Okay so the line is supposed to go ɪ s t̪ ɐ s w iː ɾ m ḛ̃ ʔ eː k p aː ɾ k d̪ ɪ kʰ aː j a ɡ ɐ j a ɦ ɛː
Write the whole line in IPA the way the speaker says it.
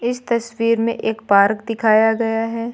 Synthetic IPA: ɪ s t̪ ɐ s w iː ɾ m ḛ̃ ʔ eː k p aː ɾ k d̪ ɪ kʰ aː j a ɡ ɐ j a ɦ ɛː